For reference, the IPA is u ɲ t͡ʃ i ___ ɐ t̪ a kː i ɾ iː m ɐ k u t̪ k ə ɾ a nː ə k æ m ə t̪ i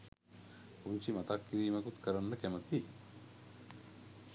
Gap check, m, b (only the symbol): m